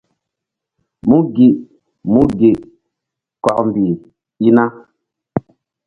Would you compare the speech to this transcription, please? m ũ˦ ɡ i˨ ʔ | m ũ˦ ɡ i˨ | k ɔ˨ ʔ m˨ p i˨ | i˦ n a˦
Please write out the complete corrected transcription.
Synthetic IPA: m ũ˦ ɡ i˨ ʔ | m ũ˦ ɡ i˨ | k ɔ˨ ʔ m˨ b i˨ | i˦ n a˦